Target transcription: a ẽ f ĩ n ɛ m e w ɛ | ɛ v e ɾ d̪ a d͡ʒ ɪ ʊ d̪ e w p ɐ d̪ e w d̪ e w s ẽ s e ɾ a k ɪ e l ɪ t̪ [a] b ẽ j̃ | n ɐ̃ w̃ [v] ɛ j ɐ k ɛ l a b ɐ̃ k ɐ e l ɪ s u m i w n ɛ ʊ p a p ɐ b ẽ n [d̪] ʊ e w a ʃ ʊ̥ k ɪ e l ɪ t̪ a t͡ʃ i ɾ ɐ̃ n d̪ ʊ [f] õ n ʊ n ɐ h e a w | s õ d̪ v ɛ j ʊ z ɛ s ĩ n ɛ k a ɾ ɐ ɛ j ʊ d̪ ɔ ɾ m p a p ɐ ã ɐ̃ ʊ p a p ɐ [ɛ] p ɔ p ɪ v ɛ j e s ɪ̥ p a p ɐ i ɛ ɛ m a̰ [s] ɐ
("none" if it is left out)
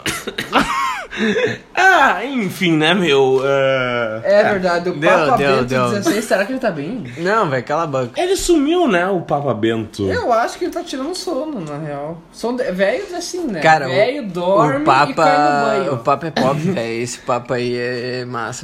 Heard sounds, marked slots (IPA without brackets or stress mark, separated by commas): a, v, t̪, s, ɛ, s